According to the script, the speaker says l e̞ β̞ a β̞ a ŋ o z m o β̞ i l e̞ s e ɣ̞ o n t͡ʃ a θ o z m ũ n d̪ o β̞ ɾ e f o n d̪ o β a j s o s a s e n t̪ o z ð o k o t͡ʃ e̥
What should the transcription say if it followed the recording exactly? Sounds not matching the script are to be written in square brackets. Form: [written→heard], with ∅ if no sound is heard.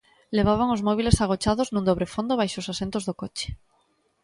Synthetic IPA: l e̞ β̞ a β̞ a ŋ o z m o β̞ i l e̞ s [e→a] ɣ̞ o [n→∅] t͡ʃ a [θ→ð] o z [m→n] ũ n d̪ o β̞ ɾ e f o n d̪ o β a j [s→ʃ] o s a s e n t̪ o z ð o k o t͡ʃ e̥

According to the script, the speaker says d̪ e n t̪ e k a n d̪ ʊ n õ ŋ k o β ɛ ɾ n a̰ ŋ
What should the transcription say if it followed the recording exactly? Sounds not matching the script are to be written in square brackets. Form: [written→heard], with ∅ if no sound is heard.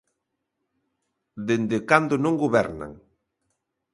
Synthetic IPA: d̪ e n [t̪→d̪] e k a n d̪ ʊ n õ ŋ [k→ɡ] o β ɛ ɾ n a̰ ŋ

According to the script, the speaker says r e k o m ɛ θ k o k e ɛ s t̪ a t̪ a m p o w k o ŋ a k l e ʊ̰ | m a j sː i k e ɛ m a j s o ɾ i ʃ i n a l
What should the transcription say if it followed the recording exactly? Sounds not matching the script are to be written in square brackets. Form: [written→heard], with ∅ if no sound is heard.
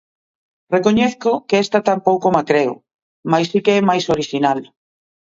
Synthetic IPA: r e k o [m→ɲ] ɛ θ k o k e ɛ s t̪ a t̪ a m p o w k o [ŋ→m] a k [l→ɾ] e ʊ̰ | m a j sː i k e ɛ m a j s o ɾ i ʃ i n a l

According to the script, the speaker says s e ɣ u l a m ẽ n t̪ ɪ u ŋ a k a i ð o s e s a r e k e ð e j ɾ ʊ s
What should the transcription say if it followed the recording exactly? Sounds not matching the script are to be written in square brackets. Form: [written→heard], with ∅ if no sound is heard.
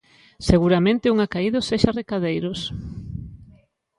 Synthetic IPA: s e ɣ u [l→ɾ] a m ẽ n t̪ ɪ u ŋ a k a i ð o s e [s→ʃ] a r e k [e→a] ð e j ɾ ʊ s

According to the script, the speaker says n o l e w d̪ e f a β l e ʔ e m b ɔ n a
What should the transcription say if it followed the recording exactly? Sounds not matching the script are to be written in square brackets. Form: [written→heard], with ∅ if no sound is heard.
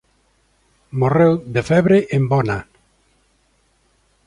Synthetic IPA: [n→m] o [l→r] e w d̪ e f [a→ɛ] β [l→ɾ] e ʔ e m b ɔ n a

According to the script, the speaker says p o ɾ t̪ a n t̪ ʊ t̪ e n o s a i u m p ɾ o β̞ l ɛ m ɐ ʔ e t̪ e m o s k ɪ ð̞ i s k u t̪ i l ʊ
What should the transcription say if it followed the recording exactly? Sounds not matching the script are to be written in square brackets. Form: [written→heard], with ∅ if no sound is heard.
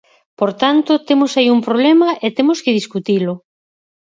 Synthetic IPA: p o ɾ t̪ a n t̪ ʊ t̪ e [n→m] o s a i u m p ɾ o β̞ l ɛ m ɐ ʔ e t̪ e m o s k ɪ ð̞ i s k u t̪ i l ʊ

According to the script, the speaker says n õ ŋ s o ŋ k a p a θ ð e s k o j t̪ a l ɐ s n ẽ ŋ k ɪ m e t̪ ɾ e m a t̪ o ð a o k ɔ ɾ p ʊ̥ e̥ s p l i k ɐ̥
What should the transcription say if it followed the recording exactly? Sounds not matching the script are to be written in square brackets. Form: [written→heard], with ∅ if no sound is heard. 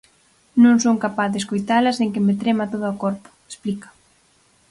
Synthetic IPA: n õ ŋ s o ŋ k a p a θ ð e s k o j t̪ a l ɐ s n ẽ ŋ k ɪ m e t̪ ɾ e m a t̪ o ð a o k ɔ ɾ p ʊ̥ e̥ s p l i k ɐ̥

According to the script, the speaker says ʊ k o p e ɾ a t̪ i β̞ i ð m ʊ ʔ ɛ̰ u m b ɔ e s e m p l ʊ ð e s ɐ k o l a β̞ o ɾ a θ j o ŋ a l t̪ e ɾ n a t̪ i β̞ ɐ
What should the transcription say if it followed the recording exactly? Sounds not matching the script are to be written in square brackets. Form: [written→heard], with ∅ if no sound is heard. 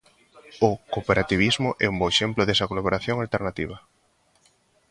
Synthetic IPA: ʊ k o p e ɾ a t̪ i β̞ i [ð→z] m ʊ ʔ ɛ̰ u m b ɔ e [s→ʃ] e m p l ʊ ð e s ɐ k o l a β̞ o ɾ a θ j o ŋ a l t̪ e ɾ n a t̪ i β̞ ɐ

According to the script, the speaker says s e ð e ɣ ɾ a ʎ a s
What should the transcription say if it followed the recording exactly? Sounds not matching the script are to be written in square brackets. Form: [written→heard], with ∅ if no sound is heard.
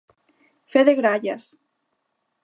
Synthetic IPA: [s→f] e ð e ɣ ɾ a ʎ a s

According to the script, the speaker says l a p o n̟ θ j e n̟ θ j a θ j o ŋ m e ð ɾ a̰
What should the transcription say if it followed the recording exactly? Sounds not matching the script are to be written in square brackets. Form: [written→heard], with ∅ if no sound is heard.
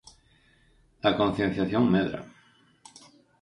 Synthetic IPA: l a [p→k] o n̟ θ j e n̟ θ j a θ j o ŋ m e ð ɾ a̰

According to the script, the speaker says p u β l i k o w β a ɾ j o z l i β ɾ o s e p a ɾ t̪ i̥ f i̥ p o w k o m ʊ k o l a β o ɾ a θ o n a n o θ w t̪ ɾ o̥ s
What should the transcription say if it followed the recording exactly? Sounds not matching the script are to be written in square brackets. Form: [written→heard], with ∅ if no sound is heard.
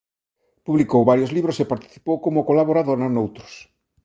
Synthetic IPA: p u β l i k o w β a ɾ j o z l i β ɾ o s e p a ɾ t̪ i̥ [f→θ] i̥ p o w k o m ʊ k o l a β o ɾ a [θ→ð] o n a n o [θ→∅] w t̪ ɾ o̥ s

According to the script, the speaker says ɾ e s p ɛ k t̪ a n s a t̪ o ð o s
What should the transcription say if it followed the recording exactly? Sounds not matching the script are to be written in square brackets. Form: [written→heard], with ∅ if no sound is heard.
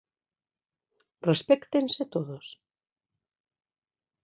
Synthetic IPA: [ɾ→r] e s p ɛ k t̪ [a→e] n s [a→e] t̪ o ð o s

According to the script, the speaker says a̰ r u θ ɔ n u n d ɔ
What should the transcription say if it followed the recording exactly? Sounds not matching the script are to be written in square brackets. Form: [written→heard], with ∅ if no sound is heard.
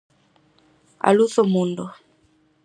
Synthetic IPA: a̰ [r→l] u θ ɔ [n→m] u n d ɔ

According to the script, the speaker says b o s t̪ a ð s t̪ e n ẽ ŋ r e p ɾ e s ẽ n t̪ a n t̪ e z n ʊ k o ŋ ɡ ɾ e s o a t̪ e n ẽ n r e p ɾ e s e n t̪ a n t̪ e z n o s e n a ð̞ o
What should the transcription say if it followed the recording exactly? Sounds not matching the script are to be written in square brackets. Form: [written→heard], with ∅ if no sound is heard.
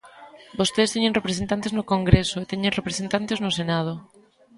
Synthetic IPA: b o s t̪ [a→e] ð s t̪ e [n→ɲ] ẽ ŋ r e p ɾ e s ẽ n t̪ a n t̪ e z n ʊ k o ŋ ɡ ɾ e s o [a→e] t̪ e [n→ɲ] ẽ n r e p ɾ e s e n t̪ a n t̪ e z n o s e n a ð̞ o

